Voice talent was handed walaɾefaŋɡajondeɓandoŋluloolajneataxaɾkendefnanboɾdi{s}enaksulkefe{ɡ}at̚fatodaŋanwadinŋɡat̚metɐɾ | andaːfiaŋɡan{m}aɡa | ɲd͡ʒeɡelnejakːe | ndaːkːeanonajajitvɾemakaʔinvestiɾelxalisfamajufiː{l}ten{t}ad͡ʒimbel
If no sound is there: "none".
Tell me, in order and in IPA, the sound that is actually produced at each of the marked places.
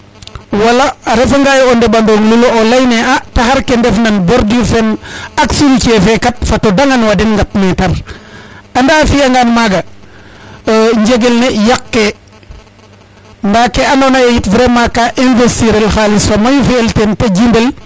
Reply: f, k, m, l, t

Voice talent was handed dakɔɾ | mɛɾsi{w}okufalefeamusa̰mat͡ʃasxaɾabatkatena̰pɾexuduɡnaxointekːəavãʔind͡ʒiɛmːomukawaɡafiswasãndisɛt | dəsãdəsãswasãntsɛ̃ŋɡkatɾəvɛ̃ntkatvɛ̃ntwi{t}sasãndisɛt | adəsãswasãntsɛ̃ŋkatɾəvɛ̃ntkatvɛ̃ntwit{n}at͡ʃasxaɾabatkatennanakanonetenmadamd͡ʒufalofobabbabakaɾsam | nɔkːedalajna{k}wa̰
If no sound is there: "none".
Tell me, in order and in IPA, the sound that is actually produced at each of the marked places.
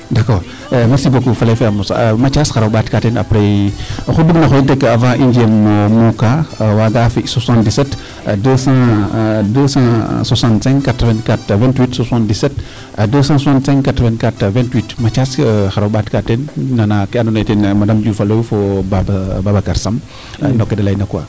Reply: b, t, m, k

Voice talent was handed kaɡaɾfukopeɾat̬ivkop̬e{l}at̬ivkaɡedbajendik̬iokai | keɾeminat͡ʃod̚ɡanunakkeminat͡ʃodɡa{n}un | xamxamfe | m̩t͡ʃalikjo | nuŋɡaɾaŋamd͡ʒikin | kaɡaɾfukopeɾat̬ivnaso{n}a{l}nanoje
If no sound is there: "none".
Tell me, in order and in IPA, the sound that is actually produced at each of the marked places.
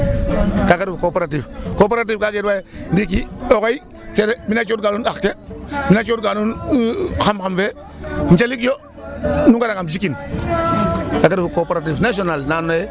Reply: ɾ, n, n, l

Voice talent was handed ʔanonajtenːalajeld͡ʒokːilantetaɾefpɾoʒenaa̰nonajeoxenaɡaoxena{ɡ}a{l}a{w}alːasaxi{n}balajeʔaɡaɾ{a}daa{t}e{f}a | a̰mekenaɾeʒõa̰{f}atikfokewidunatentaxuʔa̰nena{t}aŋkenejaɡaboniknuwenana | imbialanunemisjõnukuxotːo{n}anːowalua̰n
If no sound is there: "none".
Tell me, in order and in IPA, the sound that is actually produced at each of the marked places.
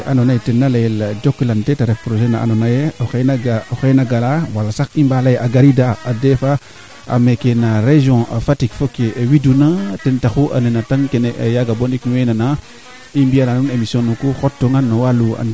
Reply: ɡ, l, w, m, i, d, f, f, t, ŋ

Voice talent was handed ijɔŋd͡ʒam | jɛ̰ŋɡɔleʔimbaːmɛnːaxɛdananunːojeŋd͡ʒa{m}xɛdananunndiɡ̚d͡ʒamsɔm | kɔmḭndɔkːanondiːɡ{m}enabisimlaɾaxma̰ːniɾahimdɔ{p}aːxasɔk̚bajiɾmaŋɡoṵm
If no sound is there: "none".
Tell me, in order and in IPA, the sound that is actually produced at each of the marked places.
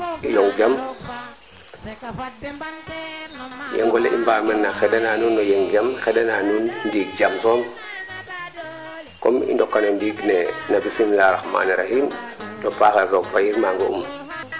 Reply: m, n, p

